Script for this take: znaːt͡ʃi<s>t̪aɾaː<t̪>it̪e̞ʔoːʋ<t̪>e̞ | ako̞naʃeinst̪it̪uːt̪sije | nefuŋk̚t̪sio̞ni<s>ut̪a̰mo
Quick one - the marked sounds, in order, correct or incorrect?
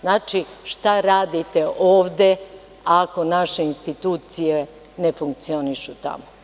incorrect: ʃ, incorrect: d̪, incorrect: d̪, incorrect: ʃ

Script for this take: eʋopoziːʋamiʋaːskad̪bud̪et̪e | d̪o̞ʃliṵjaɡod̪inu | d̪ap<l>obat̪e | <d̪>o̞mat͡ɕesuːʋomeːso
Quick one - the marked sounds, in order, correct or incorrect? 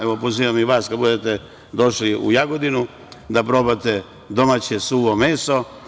incorrect: ɾ, correct

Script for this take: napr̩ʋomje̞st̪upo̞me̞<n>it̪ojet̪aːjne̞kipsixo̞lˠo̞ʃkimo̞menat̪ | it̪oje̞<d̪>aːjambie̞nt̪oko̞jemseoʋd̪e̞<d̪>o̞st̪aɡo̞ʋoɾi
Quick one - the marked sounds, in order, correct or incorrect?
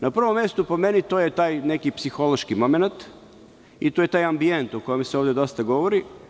correct, incorrect: t̪, correct

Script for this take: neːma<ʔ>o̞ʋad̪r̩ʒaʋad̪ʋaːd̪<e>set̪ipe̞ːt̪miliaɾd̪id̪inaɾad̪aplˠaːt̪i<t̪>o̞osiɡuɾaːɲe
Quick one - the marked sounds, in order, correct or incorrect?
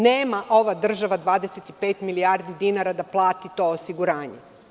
correct, correct, correct

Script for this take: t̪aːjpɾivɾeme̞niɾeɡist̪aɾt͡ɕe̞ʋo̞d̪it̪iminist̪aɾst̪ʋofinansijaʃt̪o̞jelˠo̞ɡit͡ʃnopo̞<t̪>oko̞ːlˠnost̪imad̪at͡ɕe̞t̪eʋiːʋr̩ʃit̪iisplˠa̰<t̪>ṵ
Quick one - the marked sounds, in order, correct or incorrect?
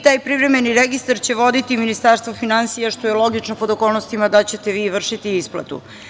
incorrect: d̪, correct

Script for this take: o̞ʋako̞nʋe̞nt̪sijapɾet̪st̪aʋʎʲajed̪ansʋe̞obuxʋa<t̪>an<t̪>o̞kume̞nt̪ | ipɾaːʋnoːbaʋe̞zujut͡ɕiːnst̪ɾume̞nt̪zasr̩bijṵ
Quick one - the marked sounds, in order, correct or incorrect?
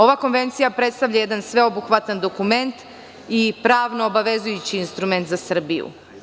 correct, incorrect: d̪

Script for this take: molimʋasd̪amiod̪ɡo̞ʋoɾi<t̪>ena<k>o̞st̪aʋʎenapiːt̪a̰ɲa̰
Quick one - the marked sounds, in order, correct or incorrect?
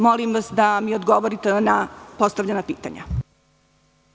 correct, incorrect: p

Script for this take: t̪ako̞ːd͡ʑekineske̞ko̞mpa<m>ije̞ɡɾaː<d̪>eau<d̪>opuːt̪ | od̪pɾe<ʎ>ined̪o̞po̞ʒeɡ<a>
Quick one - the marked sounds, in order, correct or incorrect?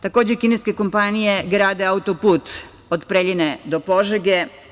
incorrect: n, correct, incorrect: t̪, correct, incorrect: e

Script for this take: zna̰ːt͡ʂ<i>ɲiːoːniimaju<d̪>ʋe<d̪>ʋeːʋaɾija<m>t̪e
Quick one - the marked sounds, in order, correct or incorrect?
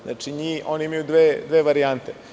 correct, correct, correct, incorrect: n

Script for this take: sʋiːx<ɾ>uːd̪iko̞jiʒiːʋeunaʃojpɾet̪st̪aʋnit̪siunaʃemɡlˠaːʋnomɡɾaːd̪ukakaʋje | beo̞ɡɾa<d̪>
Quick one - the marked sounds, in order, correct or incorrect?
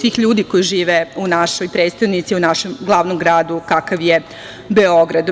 incorrect: ʎ, correct

